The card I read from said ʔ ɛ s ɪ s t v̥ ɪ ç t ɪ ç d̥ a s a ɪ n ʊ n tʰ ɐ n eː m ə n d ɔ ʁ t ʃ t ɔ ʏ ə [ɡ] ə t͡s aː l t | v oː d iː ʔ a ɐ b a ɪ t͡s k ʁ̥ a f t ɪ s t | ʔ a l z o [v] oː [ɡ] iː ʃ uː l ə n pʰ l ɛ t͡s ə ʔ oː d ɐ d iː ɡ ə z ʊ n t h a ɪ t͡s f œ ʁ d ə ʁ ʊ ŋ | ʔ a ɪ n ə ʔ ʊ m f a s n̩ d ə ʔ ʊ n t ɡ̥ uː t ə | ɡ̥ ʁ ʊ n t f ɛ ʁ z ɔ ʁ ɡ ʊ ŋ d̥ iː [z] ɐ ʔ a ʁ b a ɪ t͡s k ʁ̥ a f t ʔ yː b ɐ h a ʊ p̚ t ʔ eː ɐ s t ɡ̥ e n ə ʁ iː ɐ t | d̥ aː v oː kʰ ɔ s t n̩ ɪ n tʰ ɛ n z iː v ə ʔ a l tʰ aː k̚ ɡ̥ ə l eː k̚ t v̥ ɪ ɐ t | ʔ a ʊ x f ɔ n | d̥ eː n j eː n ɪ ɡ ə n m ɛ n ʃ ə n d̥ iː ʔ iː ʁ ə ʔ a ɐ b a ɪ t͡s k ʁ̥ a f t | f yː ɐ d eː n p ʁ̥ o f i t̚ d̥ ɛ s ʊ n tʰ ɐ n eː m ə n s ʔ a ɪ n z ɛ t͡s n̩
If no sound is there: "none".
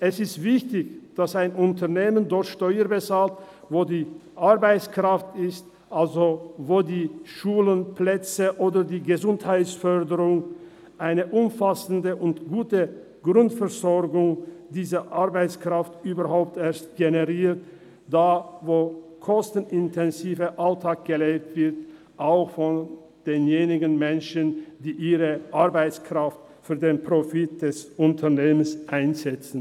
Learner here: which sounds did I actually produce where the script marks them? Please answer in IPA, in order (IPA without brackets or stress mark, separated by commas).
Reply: b, v, d, z